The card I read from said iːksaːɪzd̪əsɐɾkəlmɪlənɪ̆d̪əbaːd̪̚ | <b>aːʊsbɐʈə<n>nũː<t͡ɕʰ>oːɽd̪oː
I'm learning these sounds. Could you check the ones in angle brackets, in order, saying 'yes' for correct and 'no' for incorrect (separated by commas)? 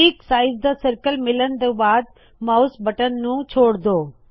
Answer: no, yes, yes